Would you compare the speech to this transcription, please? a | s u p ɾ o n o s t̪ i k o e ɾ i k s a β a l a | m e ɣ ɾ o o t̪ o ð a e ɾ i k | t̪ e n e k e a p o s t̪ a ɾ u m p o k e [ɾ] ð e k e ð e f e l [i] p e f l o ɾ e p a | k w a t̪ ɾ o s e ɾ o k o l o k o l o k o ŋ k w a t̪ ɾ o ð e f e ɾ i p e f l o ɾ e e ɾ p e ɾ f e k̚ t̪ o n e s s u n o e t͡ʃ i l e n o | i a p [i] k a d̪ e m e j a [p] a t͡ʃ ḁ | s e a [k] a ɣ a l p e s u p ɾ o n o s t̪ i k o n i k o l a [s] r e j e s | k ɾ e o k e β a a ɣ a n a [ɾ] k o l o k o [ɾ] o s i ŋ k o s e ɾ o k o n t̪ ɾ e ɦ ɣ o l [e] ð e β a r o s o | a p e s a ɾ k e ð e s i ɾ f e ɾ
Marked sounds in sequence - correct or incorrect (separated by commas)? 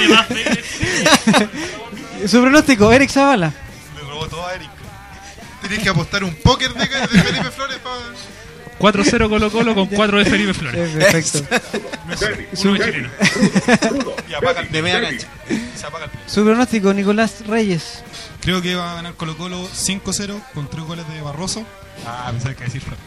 correct, correct, incorrect, incorrect, incorrect, correct, correct, incorrect, correct